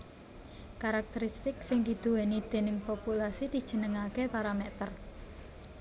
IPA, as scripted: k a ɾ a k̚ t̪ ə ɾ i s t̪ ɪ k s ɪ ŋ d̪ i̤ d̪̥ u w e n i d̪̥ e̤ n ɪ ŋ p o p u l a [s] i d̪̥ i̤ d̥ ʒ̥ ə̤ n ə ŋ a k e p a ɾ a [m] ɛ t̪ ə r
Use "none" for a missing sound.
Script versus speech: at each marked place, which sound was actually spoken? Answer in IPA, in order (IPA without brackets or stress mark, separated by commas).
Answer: s, m